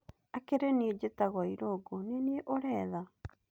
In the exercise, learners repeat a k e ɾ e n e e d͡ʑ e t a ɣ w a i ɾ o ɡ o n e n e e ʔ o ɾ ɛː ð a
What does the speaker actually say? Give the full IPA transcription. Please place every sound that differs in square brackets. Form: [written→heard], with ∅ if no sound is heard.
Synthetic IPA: a k e ɾ e n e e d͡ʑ e t a ɣ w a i ɾ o ɡ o n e n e e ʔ o ɾ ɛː ð a